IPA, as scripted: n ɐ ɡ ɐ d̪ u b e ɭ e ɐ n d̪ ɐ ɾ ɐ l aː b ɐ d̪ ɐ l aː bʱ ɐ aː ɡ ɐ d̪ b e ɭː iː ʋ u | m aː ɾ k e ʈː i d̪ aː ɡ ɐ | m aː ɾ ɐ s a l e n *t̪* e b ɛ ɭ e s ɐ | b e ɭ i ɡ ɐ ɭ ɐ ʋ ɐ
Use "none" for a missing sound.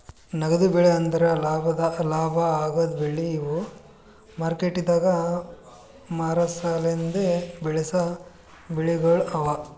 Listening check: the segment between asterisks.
d̪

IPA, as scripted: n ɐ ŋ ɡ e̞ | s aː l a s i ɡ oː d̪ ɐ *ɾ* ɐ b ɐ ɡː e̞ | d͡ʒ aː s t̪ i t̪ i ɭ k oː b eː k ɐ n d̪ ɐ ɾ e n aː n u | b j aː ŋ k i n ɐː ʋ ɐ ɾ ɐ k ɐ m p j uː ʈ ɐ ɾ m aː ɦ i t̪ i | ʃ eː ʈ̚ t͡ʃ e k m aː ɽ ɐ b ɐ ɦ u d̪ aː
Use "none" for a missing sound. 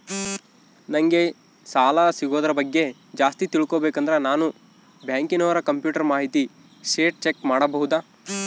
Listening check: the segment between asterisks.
ɾ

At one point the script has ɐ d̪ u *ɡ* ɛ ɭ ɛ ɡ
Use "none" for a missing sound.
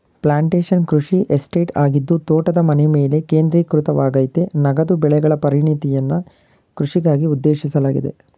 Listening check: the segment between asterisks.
b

